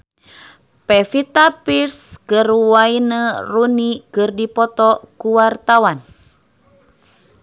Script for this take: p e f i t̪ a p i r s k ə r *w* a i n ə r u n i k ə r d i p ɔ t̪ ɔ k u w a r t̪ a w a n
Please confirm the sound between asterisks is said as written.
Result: yes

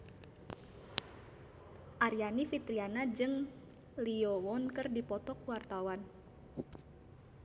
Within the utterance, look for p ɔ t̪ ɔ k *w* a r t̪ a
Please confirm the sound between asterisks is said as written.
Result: yes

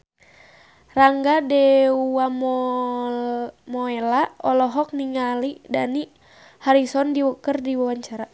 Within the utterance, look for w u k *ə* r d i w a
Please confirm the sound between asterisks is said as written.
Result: yes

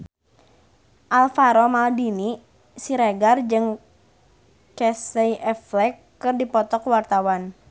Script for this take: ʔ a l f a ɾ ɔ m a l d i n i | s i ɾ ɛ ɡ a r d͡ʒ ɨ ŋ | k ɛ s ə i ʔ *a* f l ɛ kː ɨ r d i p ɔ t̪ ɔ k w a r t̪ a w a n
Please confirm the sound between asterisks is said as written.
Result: no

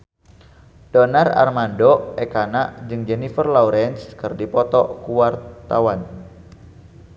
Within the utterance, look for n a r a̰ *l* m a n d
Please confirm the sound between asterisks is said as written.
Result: no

